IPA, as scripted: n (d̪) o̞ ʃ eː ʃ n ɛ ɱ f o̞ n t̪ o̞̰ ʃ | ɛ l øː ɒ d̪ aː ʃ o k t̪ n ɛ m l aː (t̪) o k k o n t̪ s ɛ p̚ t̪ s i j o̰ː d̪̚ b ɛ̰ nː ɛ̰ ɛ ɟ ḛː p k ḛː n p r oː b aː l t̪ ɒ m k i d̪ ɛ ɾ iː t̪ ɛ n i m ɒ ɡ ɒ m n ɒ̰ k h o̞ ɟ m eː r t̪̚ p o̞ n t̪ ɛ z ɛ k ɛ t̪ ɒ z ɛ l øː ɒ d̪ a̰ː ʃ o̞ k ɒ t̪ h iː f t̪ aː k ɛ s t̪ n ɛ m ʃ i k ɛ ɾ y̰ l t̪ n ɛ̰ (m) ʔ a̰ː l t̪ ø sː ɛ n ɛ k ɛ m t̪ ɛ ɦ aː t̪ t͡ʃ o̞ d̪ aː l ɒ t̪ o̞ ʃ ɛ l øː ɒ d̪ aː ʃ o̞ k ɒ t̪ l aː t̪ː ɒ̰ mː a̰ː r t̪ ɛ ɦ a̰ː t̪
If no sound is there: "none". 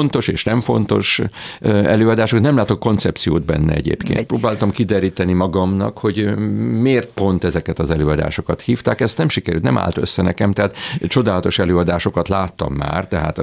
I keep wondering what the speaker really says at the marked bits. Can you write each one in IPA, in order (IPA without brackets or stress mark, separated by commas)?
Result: t̪, t̪, m